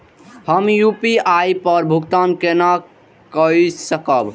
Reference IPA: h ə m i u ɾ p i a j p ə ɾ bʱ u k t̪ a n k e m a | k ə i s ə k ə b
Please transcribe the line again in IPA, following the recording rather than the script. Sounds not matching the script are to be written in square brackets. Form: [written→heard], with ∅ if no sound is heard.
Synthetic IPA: h ə m [i→j] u [ɾ→∅] p i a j p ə ɾ bʱ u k t̪ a n k e [m→n] a | k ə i s ə k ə b